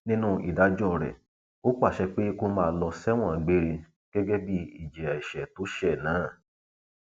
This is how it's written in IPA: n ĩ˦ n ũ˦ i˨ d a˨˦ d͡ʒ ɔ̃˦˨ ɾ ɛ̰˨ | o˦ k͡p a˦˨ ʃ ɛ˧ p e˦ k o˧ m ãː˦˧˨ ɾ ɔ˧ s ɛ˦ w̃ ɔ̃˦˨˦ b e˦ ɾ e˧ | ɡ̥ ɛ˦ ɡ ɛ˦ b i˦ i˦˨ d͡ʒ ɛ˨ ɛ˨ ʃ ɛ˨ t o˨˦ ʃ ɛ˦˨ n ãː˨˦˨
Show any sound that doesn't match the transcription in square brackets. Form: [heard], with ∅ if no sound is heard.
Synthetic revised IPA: n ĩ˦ n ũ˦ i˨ d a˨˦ d͡ʒ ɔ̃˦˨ ɾ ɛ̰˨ | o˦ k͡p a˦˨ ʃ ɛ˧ [k͡p] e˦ k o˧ m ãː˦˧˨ [l] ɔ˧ s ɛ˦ w̃ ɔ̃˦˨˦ [ɡ͡b] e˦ ɾ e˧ | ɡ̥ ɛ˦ ɡ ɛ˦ b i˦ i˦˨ d͡ʒ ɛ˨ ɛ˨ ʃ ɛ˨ t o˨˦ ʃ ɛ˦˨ n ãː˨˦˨